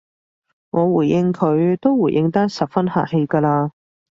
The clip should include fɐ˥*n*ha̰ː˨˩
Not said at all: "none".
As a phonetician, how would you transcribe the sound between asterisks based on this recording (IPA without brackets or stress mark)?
n